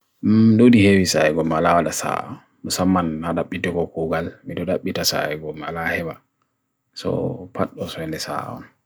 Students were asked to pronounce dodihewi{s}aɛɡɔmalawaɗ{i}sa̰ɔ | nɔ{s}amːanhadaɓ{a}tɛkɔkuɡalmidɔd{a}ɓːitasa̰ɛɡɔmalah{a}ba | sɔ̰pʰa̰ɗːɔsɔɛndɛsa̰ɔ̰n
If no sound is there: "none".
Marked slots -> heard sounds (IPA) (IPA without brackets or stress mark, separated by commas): s, a, s, i, a, ɛ